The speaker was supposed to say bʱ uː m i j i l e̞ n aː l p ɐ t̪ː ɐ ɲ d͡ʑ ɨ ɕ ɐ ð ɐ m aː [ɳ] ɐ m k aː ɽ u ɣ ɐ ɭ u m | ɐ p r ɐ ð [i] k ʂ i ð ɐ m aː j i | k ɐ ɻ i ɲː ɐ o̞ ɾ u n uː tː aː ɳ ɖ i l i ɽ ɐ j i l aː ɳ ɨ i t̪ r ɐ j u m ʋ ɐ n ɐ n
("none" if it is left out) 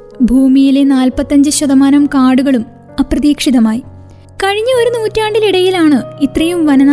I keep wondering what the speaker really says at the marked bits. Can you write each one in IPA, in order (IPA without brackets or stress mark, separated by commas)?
n, iː